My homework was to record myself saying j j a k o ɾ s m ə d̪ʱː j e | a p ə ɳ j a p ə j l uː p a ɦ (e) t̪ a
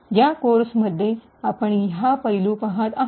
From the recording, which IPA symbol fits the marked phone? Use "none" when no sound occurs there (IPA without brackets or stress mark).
a